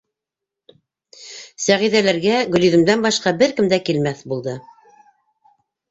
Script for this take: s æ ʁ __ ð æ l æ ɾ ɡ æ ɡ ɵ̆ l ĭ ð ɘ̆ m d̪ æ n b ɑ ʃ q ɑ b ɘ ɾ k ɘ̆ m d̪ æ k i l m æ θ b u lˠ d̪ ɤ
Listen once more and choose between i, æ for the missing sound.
i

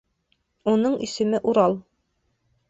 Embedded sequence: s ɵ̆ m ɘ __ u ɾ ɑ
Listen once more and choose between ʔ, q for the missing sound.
ʔ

